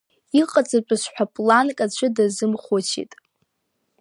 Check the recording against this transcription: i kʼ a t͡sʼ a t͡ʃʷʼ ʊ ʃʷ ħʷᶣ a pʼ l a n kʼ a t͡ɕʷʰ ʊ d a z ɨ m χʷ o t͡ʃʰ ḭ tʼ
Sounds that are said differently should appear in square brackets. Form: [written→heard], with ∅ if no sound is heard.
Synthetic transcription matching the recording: i [kʼ→qʼ] a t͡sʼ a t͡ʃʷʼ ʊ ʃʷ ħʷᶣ a pʼ l a n kʼ a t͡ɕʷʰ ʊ d a z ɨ m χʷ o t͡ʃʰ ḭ tʼ

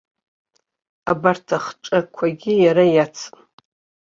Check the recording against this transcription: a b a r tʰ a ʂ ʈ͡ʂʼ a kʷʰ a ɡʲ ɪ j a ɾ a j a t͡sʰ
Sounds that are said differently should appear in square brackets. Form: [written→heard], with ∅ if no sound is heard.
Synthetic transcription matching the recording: a b a r tʰ a [ʂ→χ] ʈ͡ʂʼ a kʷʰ a ɡʲ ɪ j a ɾ a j a t͡sʰ

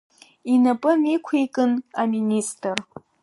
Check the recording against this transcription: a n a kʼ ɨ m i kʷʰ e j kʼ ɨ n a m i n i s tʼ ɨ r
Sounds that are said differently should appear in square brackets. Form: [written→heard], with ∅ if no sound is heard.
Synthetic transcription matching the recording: [a→i] n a [kʼ→pʼ] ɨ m i kʷʰ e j kʼ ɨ n a m i n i s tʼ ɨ r

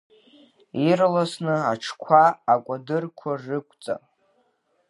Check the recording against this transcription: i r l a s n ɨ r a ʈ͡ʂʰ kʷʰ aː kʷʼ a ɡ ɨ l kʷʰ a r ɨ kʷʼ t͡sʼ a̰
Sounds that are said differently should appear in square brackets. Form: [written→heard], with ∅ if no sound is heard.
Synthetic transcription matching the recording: i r l a s n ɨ [r→∅] a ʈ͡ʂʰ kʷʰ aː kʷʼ a [ɡ→d] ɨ [l→r] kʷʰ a r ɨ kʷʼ t͡sʼ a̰

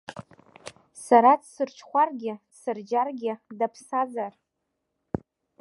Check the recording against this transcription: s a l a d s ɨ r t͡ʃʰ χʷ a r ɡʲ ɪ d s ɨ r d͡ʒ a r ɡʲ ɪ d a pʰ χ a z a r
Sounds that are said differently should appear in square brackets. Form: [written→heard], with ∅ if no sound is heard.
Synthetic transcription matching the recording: s a [l→ɾ] a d s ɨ r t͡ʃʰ χʷ a r ɡʲ ɪ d s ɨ r d͡ʒ a r ɡʲ ɪ d a pʰ [χ→s] a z a r

